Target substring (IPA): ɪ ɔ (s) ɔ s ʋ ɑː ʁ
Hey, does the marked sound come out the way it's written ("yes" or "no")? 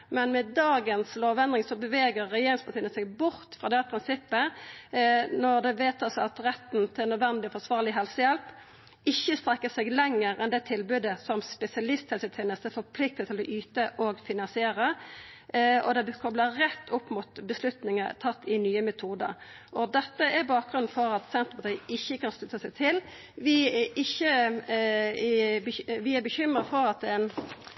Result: no